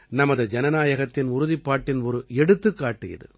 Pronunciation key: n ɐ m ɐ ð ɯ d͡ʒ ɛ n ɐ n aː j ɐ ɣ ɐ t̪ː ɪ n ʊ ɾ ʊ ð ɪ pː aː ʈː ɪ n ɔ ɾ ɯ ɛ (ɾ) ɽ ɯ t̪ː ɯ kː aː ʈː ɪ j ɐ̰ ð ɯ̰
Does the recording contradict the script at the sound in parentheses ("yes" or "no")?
yes